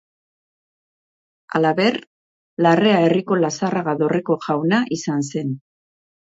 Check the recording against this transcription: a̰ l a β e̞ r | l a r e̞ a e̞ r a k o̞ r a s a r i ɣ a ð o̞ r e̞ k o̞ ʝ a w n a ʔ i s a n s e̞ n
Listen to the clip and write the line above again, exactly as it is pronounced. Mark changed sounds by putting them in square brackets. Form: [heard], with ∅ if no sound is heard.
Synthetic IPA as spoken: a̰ l a β e̞ r | l a r e̞ a e̞ r [i] k o̞ [l] a s a r [a] ɣ a ð o̞ r e̞ k o̞ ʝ a w n a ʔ i s a n s e̞ n